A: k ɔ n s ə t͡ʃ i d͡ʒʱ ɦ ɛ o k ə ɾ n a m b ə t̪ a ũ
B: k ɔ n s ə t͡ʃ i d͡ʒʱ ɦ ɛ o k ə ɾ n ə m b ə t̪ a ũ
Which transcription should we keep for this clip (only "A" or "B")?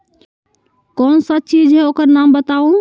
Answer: A